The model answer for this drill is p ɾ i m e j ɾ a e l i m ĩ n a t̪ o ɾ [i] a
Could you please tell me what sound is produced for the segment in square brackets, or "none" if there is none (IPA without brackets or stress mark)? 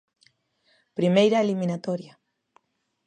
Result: j